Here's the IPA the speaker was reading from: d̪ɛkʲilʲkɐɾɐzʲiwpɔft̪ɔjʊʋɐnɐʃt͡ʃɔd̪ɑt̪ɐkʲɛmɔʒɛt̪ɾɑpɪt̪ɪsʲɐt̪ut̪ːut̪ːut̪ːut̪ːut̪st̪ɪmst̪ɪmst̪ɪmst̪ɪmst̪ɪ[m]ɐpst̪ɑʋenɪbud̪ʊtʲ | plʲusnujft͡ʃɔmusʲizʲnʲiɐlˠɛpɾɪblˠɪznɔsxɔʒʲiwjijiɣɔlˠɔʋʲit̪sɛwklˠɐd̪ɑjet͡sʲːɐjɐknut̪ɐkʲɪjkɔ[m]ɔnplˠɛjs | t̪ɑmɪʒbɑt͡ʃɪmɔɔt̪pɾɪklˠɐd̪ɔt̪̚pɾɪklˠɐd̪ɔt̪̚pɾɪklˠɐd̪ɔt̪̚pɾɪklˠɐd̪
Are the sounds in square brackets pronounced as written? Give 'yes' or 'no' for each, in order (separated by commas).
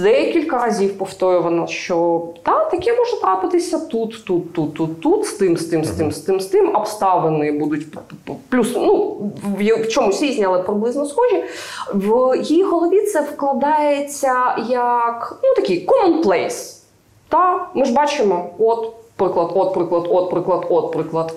yes, yes